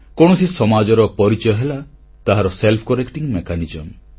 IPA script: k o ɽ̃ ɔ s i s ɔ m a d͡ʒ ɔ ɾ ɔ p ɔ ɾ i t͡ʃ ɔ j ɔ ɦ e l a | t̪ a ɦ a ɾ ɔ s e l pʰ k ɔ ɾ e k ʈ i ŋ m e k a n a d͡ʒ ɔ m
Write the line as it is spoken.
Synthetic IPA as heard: k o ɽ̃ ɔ s i s ɔ m a d͡ʒ ɔ ɾ ɔ p ɔ ɾ i t͡ʃ ɔ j ɔ ɦ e l a | t̪ a ɦ a ɾ ɔ s e l pʰ k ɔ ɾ e k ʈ i ŋ m e k a n i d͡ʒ ɔ m